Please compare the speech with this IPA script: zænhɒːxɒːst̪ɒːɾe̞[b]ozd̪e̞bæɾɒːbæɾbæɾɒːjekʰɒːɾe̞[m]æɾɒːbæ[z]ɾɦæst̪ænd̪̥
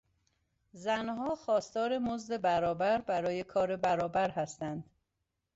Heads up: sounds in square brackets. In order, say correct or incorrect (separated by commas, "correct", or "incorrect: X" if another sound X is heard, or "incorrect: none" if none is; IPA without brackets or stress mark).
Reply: incorrect: m, incorrect: b, incorrect: none